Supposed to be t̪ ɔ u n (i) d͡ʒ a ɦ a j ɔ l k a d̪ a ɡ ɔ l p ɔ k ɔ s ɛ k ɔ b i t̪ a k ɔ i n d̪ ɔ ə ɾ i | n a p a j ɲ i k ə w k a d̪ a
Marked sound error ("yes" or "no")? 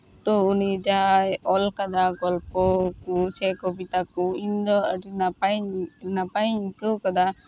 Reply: no